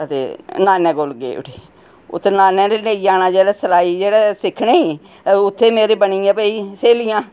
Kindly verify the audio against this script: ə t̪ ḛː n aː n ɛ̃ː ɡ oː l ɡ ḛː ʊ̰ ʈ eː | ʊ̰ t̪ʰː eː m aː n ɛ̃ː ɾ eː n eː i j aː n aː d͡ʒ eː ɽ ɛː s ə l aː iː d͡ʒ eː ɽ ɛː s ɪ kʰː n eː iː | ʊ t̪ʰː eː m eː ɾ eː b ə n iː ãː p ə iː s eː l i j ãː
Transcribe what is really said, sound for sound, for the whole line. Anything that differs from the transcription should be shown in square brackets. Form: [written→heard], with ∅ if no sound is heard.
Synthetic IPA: ə t̪ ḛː n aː n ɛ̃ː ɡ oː l ɡ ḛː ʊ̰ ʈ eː | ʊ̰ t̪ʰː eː [m→n] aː n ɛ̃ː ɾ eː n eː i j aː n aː d͡ʒ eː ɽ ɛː s ə l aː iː d͡ʒ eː ɽ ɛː s ɪ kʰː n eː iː | ʊ t̪ʰː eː m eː ɾ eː b ə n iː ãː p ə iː s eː l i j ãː